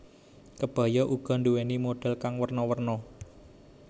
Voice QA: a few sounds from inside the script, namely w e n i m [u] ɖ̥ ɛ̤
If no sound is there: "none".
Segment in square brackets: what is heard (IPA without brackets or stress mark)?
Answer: o